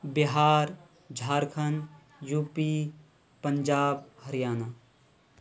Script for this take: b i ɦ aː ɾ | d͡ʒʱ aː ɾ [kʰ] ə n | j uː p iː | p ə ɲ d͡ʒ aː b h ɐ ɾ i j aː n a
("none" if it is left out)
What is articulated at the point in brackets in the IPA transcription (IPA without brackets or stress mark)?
kʰ